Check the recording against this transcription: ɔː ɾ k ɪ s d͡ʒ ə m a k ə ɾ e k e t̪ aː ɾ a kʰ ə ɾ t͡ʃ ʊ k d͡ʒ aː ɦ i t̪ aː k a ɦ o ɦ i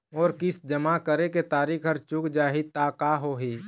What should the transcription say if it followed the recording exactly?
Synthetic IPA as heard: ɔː ɾ k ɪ s d͡ʒ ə m a k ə ɾ e k e t̪ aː ɾ i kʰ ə ɾ t͡ʃ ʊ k d͡ʒ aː ɦ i t̪ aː k a ɦ o ɦ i